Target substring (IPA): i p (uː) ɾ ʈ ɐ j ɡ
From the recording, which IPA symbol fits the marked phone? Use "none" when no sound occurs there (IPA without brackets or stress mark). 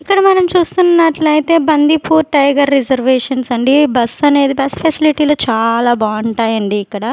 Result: uː